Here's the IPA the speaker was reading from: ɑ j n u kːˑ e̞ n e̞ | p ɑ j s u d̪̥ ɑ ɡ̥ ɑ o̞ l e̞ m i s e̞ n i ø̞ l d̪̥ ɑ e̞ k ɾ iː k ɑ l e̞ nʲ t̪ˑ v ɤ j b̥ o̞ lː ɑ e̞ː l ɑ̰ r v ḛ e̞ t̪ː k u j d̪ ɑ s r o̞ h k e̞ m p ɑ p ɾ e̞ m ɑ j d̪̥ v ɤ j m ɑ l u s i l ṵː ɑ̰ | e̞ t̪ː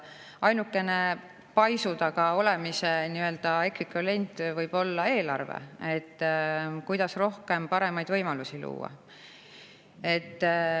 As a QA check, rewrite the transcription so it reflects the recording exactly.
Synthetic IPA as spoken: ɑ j n u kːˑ e̞ n e̞ | p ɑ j s u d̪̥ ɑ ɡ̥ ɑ o̞ l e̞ m i s e̞ n i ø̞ l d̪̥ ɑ e̞ k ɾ i k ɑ l e̞ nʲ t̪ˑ v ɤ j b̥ o̞ lː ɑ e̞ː l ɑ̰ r v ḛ e̞ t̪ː k u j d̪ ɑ s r o̞ h k e̞ m p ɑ ɾ e̞ m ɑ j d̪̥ v ɤ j m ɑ l u s i l ṵː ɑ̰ | e̞ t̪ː